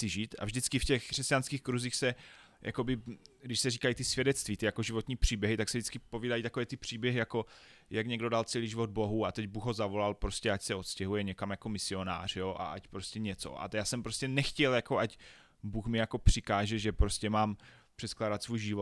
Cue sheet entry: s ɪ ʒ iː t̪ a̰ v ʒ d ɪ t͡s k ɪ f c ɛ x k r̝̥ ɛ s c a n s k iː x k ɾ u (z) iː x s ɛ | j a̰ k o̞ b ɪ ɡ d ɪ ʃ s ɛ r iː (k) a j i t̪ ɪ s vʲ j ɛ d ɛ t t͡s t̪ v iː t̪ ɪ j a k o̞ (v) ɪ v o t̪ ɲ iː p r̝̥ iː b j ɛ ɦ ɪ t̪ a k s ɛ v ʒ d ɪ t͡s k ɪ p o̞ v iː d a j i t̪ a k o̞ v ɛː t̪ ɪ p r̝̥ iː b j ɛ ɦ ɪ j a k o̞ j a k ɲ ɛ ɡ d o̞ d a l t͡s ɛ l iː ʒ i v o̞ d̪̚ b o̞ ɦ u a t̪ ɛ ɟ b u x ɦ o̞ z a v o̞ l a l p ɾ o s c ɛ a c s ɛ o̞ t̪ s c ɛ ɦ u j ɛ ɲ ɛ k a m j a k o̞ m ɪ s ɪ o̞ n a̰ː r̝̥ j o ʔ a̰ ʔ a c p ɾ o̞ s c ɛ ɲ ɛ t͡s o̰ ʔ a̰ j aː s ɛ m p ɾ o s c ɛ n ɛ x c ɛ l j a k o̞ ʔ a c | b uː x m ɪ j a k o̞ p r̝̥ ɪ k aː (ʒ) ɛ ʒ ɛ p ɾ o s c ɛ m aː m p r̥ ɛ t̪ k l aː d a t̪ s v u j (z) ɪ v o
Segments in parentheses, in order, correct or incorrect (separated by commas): correct, correct, incorrect, correct, incorrect